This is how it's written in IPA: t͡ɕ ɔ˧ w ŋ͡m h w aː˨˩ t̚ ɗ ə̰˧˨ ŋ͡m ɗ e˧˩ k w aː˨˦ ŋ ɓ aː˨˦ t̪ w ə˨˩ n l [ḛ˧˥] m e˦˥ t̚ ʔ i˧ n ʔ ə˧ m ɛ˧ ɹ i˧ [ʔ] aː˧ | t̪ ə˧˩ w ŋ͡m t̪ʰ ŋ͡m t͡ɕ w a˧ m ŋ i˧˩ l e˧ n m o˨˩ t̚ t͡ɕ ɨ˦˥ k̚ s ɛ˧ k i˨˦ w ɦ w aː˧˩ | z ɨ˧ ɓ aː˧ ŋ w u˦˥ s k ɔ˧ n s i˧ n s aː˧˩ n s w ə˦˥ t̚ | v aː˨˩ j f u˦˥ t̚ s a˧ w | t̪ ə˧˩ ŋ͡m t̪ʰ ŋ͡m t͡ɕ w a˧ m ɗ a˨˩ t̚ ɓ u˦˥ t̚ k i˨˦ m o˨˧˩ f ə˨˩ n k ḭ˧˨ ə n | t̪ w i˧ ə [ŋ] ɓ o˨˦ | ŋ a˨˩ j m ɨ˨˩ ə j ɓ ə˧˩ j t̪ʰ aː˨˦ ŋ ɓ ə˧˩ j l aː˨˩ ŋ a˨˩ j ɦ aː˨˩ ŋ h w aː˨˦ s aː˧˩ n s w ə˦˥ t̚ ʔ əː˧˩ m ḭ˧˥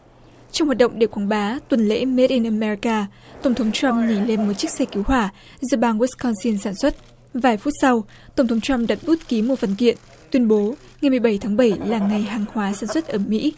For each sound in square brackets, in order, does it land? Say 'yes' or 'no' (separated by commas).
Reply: yes, no, no